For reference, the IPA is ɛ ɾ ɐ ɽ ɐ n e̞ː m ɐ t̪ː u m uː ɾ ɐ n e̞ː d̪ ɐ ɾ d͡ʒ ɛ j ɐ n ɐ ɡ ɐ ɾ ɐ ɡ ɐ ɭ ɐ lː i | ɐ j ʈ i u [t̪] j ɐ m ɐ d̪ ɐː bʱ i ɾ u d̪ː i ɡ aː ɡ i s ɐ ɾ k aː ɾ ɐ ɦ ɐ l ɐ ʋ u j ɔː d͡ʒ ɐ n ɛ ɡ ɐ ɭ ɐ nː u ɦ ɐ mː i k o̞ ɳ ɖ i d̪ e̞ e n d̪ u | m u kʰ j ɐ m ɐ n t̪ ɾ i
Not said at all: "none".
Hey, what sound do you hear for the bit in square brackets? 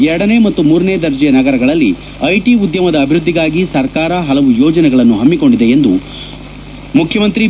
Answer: d̪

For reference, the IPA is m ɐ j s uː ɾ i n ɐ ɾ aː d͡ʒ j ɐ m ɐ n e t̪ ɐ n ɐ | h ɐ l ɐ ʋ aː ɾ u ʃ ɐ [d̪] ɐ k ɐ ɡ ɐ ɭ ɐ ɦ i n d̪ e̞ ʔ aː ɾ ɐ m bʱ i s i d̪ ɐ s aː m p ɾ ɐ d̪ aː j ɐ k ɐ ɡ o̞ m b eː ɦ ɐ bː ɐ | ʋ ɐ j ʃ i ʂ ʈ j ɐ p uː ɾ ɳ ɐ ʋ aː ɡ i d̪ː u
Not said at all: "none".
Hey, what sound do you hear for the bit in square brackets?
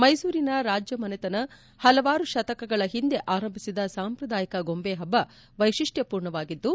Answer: t̪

